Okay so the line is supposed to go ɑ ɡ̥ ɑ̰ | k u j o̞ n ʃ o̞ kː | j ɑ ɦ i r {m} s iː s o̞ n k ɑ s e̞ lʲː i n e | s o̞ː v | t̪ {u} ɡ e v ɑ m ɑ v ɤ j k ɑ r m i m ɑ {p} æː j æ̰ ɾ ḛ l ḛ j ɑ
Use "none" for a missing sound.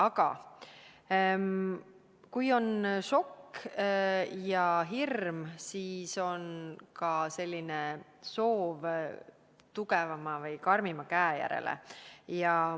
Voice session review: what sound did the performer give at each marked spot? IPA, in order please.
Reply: m, u, k

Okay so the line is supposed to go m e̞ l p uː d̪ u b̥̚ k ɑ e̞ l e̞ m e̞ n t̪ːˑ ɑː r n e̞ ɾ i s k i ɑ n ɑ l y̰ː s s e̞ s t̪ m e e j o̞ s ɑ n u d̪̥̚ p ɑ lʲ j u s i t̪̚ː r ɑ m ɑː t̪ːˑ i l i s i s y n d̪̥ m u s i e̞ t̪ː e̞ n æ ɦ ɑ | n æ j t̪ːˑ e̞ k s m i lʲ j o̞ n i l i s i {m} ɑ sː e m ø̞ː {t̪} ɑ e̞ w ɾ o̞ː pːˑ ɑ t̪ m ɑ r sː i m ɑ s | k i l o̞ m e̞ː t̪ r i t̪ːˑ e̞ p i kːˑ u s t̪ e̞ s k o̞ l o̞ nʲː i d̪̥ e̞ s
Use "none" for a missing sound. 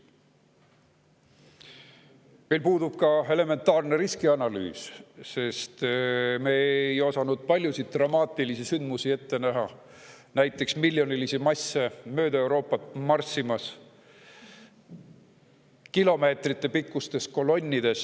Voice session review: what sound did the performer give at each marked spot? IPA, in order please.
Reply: m, d̪

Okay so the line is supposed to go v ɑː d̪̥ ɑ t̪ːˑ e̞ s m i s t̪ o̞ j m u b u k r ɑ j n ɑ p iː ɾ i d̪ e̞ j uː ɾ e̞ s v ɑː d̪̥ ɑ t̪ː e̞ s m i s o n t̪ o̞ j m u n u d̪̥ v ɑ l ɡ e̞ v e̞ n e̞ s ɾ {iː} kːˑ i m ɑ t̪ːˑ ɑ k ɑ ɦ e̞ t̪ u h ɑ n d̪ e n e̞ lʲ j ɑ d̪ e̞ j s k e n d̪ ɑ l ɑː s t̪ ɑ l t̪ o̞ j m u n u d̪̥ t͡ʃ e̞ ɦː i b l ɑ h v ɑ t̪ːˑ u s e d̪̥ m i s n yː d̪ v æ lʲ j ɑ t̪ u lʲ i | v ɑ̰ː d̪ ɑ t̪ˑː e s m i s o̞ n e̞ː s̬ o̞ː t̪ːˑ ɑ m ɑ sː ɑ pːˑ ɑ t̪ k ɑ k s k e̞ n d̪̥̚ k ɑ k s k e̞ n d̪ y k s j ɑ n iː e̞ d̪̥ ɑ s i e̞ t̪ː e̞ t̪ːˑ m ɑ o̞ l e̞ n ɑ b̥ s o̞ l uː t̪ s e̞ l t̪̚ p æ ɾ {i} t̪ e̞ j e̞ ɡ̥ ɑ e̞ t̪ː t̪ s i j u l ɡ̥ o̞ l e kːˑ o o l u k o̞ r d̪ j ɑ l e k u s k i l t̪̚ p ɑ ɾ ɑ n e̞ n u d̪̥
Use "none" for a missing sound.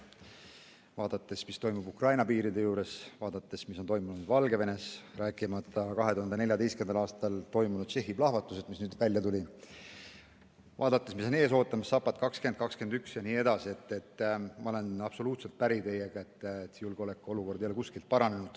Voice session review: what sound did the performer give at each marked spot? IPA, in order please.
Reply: æː, i

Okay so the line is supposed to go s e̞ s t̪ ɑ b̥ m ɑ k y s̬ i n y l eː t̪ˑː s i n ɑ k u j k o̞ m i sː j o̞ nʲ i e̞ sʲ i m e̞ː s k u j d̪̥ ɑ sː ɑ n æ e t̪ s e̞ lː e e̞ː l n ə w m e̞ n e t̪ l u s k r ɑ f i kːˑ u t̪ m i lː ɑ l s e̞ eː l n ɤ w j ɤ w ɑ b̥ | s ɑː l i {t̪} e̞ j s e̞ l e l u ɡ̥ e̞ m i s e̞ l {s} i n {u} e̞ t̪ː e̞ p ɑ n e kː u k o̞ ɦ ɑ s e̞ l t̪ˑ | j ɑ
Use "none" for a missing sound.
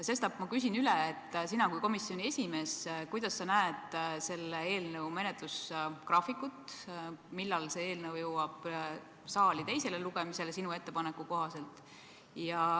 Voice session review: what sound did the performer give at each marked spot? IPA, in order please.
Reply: t̪, s, u

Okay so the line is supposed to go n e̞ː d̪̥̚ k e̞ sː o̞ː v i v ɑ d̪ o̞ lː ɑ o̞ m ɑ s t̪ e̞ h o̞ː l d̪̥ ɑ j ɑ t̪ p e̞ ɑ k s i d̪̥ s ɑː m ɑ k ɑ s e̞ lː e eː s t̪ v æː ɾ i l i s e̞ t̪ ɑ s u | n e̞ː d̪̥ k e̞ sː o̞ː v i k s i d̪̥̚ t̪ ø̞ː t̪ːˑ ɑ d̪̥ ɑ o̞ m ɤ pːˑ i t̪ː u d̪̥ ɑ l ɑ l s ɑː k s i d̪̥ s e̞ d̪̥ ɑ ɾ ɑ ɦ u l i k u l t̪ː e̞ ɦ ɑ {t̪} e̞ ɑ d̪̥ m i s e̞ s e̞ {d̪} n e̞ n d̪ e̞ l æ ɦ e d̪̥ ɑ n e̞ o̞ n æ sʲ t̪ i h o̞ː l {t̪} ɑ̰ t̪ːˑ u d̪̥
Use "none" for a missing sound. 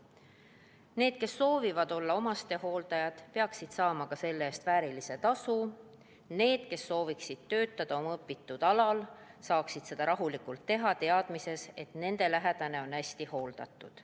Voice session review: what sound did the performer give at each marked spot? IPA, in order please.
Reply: t̪, t̪, d̪

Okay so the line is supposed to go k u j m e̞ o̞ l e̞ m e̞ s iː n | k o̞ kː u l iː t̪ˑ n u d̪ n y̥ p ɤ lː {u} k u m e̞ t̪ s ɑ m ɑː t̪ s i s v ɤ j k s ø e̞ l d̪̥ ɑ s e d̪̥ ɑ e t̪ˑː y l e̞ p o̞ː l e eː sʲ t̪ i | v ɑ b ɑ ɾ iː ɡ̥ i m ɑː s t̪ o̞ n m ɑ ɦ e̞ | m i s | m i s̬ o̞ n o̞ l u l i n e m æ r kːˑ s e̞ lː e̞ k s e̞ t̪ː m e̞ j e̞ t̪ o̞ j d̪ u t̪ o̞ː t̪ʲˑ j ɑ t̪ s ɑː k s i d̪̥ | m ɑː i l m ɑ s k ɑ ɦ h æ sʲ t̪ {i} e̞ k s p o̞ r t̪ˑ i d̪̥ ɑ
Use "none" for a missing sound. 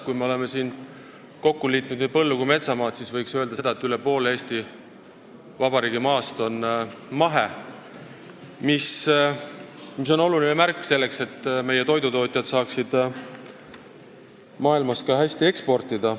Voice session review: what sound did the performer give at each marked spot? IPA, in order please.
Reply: u, i

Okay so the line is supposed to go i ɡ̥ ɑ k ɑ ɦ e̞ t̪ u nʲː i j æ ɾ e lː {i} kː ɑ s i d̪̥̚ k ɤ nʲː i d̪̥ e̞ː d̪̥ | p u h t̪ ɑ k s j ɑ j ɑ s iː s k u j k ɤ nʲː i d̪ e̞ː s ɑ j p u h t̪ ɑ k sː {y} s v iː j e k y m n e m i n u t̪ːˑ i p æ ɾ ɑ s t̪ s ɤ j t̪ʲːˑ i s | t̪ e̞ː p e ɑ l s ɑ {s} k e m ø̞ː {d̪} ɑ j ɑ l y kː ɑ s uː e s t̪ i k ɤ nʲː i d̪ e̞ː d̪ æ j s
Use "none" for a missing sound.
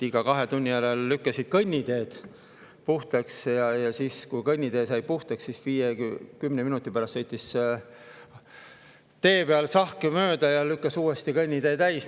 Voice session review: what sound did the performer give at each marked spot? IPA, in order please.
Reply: y, i, h, d̪

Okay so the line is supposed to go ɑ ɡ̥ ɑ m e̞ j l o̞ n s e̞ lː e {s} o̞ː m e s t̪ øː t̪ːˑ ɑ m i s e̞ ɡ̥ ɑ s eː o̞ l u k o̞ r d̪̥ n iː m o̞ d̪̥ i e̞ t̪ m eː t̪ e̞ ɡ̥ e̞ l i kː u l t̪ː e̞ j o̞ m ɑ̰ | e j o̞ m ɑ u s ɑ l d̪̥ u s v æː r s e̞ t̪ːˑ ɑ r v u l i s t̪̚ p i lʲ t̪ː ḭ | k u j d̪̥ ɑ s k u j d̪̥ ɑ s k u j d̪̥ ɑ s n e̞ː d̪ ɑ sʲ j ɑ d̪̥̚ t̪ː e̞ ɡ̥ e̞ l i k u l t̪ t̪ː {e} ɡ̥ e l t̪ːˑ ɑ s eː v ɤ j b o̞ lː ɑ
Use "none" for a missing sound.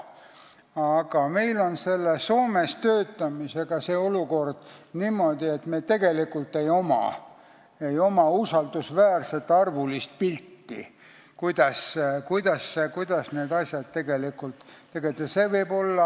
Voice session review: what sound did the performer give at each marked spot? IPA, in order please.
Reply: s, e

